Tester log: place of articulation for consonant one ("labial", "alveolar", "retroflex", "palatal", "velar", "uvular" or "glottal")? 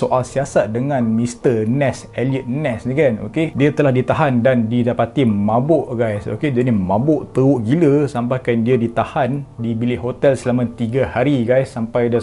alveolar